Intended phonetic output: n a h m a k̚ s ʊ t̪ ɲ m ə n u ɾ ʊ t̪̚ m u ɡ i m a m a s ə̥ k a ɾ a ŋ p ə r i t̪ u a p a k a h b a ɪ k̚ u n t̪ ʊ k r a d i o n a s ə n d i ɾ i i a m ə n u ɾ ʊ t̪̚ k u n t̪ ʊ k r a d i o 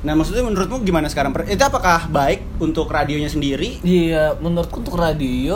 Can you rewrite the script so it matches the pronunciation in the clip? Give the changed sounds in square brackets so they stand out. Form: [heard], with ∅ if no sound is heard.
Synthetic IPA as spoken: n a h m a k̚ s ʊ t̪ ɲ m ə n u ɾ ʊ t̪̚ m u ɡ i m a [n] a s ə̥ k a ɾ a ŋ p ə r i t̪ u a p a k a h b a ɪ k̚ u n t̪ ʊ k r a d i o [ɲ] a s ə n d i ɾ i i a m ə n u ɾ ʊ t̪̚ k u n t̪ ʊ k r a d i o